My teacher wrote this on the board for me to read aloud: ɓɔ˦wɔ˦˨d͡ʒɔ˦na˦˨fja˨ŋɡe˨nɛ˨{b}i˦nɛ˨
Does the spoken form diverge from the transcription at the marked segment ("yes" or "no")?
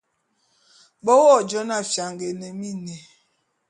yes